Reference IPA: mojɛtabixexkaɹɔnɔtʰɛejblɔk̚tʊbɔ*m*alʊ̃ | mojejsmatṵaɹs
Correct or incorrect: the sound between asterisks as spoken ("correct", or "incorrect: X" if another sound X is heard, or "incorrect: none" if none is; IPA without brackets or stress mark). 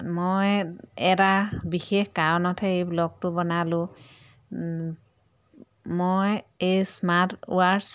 incorrect: n